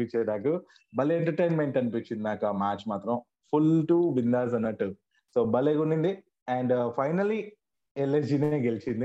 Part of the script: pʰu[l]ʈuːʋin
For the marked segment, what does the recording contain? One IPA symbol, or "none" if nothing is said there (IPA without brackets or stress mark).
l